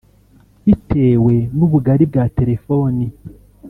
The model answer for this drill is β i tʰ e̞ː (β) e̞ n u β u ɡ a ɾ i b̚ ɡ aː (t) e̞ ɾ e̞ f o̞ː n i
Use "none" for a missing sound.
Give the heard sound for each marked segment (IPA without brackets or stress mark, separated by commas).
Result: w, t